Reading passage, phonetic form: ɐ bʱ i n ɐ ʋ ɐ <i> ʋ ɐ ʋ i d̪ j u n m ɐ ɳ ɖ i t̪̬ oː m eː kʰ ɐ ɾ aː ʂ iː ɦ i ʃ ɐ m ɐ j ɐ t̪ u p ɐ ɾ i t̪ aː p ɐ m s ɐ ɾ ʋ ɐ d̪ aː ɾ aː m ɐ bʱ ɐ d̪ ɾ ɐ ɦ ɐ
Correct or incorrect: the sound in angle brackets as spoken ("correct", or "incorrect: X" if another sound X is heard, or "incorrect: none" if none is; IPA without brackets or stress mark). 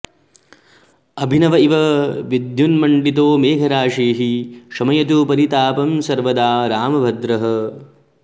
correct